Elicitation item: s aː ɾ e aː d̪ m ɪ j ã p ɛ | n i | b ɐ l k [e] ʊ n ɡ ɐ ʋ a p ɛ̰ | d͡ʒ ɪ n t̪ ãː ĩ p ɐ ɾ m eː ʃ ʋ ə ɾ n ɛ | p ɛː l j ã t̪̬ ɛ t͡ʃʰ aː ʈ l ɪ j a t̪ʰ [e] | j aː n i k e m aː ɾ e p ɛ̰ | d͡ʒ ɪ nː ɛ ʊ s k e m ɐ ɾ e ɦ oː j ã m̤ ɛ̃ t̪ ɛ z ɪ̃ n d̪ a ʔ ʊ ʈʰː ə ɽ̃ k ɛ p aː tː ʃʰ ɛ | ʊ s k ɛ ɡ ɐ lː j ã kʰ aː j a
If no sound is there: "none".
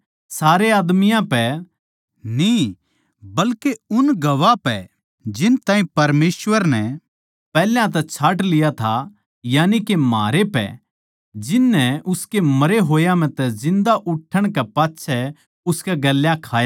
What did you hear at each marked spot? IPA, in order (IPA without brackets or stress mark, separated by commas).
e, a